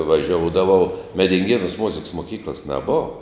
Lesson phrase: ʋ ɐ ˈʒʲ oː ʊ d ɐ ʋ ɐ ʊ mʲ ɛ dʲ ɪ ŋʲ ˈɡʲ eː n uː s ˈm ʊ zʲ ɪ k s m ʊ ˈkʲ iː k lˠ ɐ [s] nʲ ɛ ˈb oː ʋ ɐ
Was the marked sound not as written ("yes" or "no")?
no